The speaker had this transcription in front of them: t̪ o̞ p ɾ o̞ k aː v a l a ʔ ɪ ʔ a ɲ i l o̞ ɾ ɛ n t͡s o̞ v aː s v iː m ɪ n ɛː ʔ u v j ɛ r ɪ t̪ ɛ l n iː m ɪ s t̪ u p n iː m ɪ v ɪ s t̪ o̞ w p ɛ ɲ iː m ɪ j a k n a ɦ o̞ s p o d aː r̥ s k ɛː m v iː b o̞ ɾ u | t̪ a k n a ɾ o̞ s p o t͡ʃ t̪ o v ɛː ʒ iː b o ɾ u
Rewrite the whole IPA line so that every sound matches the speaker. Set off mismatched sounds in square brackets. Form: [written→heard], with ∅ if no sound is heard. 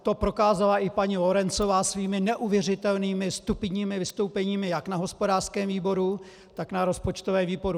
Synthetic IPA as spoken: t̪ o̞ p ɾ o̞ k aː [v→z] a l a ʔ ɪ [ʔ→p] a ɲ i l o̞ ɾ ɛ n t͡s o̞ v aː s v iː m ɪ n [ɛː→ɛ] ʔ u v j ɛ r ɪ t̪ ɛ l n iː m ɪ s t̪ u p [n→ɲ] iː m ɪ v ɪ s t̪ o̞ w p ɛ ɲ iː m ɪ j a k n a ɦ o̞ s p o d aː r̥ s k ɛː m v iː b o̞ ɾ u | t̪ a k n a ɾ o̞ s p o t͡ʃ t̪ o v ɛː [ʒ→v] iː b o ɾ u

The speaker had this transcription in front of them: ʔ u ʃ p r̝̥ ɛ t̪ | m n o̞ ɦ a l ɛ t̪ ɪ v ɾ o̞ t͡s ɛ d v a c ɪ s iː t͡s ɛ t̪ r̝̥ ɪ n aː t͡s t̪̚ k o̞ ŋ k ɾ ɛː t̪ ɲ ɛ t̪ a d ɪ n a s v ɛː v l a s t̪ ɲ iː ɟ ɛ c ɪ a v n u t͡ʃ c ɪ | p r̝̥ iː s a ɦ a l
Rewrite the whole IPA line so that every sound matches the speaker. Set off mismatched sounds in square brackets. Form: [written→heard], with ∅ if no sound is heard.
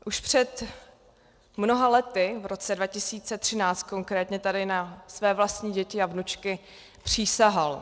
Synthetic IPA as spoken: ʔ u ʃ p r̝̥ ɛ t̪ | m n o̞ ɦ a l ɛ t̪ ɪ v ɾ o̞ t͡s ɛ d v a c ɪ s iː t͡s ɛ t̪ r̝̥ ɪ n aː t͡s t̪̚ k o̞ ŋ k ɾ ɛː t̪ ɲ ɛ t̪ a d ɪ n a s v ɛː v l a s t̪ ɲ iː ɟ ɛ c ɪ a v n u t͡ʃ [c→k] ɪ | p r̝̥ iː s a ɦ a l

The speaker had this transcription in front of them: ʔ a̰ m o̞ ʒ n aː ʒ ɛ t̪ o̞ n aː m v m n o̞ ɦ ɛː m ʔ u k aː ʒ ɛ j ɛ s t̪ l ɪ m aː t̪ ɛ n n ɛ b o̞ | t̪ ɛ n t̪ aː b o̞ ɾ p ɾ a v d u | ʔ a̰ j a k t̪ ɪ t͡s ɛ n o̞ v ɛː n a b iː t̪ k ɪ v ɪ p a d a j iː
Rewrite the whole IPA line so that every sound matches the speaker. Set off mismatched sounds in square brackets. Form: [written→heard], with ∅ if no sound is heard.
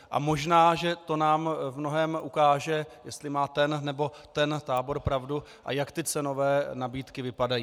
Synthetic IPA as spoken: ʔ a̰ m o̞ ʒ n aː ʒ ɛ t̪ o̞ n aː m v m n o̞ ɦ ɛː m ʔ u k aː ʒ ɛ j ɛ s t̪ l ɪ m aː t̪ ɛ n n ɛ b o̞ | t̪ ɛ n t̪ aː b o̞ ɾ p ɾ a v d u | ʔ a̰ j a k t̪ ɪ t͡s ɛ n o̞ v ɛː n a b iː t̪ k ɪ v ɪ p a d a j iː

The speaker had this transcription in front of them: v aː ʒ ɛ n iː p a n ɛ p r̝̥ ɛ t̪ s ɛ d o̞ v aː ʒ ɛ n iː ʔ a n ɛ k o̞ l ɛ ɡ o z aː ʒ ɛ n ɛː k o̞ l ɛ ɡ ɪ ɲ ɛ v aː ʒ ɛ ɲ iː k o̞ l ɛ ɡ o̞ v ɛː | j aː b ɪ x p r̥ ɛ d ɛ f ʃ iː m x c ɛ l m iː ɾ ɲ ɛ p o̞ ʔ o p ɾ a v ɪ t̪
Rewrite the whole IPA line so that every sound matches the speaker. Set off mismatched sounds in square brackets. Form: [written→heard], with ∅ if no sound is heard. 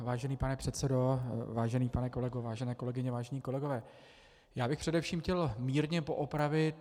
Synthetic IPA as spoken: v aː ʒ ɛ n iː p a n ɛ p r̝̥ ɛ t̪ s ɛ d o̞ v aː ʒ ɛ n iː [ʔ→p] a n ɛ k o̞ l ɛ ɡ o [z→v] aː ʒ ɛ n ɛː k o̞ l ɛ ɡ ɪ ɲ ɛ v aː ʒ ɛ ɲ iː k o̞ l ɛ ɡ o̞ v ɛː | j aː b ɪ x p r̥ ɛ d ɛ f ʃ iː m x c ɛ l m iː ɾ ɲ ɛ p o̞ ʔ o p ɾ a v ɪ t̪

